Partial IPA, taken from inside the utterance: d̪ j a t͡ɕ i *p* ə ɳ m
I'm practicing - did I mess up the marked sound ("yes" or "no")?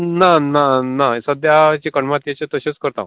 yes